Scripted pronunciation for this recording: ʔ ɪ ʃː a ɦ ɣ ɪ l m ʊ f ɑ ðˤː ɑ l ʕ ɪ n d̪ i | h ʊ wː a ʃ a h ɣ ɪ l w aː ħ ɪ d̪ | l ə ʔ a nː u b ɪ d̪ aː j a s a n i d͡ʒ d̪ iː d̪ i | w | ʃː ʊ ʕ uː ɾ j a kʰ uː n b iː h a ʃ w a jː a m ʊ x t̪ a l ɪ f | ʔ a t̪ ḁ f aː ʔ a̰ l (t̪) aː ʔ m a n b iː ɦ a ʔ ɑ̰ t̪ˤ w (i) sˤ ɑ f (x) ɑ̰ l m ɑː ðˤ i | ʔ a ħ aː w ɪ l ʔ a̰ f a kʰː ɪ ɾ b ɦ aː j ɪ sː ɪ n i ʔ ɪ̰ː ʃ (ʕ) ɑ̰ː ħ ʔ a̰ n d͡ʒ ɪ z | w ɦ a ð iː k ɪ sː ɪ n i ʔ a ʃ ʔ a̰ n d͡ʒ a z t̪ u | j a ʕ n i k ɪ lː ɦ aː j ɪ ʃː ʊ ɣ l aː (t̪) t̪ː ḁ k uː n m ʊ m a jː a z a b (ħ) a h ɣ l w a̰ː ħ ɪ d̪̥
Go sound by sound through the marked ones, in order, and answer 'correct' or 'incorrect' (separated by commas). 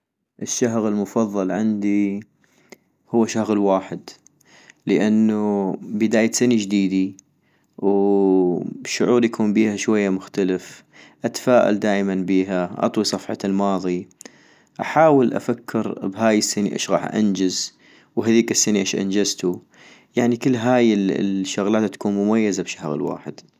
incorrect, correct, incorrect, incorrect, correct, incorrect